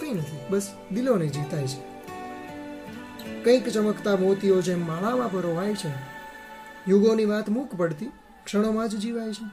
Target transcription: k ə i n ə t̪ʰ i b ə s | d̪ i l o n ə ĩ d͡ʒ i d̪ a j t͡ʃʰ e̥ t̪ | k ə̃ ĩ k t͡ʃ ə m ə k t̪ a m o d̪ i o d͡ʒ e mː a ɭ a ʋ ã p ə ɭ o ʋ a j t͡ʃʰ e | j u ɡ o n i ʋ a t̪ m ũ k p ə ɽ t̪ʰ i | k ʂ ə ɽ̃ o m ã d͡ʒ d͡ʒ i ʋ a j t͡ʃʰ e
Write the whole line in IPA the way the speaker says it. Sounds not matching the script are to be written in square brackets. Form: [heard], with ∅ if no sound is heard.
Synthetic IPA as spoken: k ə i n ə t̪ʰ i b ə s | d̪ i l o n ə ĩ d͡ʒ i [t̪] a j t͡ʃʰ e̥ [∅] | k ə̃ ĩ k t͡ʃ ə m ə k t̪ a m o [t̪] i o d͡ʒ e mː a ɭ a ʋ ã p ə [ɾ] o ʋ a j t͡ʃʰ e | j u ɡ o n i ʋ a t̪ m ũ k p ə ɽ [t̪] i | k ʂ ə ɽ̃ o m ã d͡ʒ d͡ʒ i ʋ a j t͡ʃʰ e